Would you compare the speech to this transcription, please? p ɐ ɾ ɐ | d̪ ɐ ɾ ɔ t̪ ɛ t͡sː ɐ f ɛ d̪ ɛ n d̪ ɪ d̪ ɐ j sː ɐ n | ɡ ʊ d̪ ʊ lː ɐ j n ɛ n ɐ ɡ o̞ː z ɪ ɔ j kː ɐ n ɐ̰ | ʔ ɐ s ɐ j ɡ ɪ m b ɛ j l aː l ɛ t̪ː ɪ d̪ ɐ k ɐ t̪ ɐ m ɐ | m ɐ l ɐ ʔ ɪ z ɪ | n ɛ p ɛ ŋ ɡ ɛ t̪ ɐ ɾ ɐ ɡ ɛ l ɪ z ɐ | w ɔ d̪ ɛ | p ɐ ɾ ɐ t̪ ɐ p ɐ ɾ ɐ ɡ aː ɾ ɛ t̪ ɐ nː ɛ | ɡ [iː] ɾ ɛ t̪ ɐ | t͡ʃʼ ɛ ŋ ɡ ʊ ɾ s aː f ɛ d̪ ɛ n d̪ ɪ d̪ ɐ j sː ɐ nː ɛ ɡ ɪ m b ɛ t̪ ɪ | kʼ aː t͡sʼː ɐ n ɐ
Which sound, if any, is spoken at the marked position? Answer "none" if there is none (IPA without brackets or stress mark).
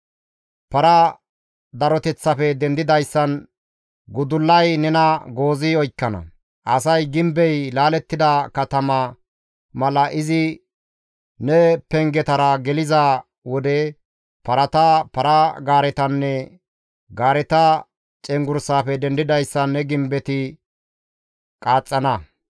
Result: aː